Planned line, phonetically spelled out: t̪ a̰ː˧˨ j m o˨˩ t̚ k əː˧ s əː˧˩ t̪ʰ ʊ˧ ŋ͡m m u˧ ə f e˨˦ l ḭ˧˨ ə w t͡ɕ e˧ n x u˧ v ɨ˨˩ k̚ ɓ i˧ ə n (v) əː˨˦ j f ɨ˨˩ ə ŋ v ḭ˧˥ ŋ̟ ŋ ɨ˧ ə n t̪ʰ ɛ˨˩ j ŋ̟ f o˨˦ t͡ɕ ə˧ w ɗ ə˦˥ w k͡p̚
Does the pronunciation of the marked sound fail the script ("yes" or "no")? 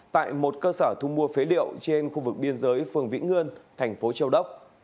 yes